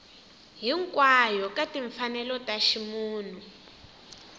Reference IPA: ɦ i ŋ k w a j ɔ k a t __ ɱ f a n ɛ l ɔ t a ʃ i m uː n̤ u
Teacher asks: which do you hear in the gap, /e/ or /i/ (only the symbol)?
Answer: i